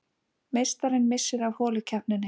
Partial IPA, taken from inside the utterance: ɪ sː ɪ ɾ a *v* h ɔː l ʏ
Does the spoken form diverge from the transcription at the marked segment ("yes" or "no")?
no